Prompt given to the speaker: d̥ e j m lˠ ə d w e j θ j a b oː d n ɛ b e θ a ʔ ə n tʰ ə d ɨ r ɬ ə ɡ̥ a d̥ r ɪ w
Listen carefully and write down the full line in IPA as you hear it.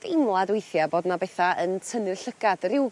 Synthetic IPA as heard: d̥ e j m lˠ a d w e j θ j a b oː d n a b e θ a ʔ ə n tʰ ə n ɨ r ɬ ə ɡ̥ a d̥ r ɪ w